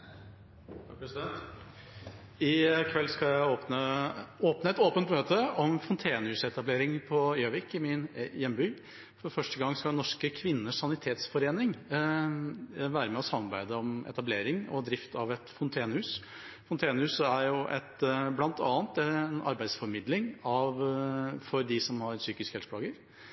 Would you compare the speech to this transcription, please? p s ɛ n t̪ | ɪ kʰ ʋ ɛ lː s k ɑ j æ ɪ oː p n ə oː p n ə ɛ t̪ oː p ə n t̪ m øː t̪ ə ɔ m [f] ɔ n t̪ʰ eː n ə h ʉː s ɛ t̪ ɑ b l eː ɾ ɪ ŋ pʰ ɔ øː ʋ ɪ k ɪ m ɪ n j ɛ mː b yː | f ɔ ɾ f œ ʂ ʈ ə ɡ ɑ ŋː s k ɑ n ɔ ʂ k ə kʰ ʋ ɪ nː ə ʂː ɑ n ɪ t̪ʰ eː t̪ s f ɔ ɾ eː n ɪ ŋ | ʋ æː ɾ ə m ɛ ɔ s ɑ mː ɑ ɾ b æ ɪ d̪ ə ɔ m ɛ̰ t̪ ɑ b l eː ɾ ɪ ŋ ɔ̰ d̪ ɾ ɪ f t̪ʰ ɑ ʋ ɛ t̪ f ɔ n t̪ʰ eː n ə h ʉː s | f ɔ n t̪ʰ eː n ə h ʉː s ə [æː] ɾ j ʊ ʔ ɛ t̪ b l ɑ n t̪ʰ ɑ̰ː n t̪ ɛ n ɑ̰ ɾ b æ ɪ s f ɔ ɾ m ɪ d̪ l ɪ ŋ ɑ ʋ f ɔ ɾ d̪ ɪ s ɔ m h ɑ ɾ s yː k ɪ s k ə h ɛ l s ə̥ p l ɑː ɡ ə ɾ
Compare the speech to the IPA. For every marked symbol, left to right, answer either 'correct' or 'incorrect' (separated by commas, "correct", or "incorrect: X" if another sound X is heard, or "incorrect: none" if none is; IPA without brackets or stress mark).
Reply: correct, incorrect: æ